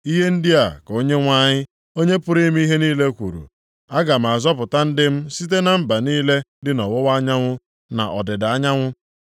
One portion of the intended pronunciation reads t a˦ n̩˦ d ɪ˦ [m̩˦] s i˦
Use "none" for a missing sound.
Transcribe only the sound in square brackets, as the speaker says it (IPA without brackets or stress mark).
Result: m̩˦